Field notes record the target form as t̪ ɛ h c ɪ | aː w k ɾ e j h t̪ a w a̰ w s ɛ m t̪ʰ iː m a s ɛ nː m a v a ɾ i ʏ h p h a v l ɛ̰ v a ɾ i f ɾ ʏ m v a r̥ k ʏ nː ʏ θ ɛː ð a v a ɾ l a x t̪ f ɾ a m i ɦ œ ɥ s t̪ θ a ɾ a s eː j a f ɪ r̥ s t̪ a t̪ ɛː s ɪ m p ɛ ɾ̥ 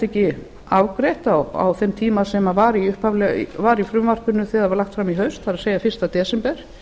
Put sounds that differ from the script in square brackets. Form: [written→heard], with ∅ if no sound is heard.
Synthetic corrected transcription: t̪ ɛ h c ɪ | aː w k ɾ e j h t̪ a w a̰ w [s→θ] ɛ m t̪ʰ iː m a s ɛ [nː→∅] m a v a ɾ i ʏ h p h a v l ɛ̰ v a ɾ i f ɾ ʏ m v a r̥ k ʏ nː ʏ θ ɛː ð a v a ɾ l a x t̪ f ɾ a m i ɦ œ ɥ s t̪ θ a ɾ a s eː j a f ɪ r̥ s t̪ a t̪ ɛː s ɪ m p ɛ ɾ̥